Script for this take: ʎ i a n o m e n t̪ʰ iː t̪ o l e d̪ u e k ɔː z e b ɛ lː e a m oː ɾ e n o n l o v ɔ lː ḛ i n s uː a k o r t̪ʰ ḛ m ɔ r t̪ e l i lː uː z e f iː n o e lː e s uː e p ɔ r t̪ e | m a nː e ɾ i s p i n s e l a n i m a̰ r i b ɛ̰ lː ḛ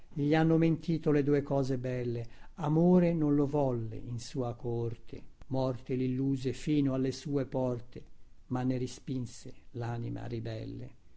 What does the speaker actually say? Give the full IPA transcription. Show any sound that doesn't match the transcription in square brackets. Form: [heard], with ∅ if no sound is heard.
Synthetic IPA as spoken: ʎ i a [nː] o m e n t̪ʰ iː t̪ o l e d̪ u e k ɔː z e b ɛ lː e a m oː ɾ e n o n l o v ɔ lː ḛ i n s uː a k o r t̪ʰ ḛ m ɔ r t̪ e l i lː uː z e f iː n o [a] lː e s uː e p ɔ r t̪ e | m a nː e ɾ i s p i n s e l a n i m a̰ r i b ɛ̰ lː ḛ